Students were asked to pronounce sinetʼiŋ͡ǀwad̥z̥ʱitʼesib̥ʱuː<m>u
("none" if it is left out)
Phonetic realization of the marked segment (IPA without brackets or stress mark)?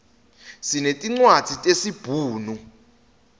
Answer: n